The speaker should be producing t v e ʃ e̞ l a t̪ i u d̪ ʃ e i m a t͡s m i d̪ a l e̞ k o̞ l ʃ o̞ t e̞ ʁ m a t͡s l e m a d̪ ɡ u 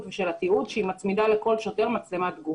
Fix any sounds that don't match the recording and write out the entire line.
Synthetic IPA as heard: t v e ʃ e̞ l a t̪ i u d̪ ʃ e i m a t͡s m i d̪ a l e̞ k o̞ l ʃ o̞ t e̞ ʁ m a t͡s l e m a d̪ ɡ u